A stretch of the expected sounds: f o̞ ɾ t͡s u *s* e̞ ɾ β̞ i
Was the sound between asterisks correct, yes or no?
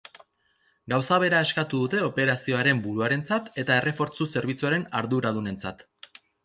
yes